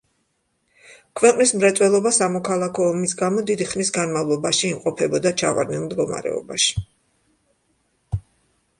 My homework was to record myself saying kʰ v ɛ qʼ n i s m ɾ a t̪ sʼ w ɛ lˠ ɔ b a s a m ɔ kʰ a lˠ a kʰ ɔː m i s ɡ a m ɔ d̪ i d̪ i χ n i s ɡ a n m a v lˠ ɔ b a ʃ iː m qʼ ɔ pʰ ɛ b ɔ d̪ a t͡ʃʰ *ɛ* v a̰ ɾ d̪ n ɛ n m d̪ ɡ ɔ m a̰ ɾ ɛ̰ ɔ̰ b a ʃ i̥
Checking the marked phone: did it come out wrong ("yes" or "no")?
yes